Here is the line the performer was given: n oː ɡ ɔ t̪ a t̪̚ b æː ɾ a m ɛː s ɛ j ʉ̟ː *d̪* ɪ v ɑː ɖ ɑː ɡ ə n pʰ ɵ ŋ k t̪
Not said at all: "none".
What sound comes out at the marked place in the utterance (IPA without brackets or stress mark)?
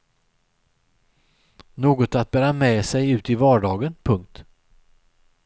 t̪